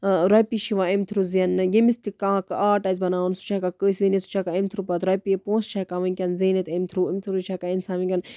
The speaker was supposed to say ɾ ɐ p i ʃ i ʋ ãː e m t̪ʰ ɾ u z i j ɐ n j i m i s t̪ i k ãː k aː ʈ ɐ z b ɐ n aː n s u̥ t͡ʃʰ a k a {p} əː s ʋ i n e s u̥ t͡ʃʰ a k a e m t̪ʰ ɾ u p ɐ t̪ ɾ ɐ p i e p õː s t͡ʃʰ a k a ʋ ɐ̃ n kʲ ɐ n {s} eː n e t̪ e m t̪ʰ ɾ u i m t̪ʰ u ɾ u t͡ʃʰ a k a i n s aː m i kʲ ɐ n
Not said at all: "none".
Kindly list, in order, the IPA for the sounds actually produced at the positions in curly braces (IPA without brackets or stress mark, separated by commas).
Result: k, z